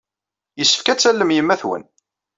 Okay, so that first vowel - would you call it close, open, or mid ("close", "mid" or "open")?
mid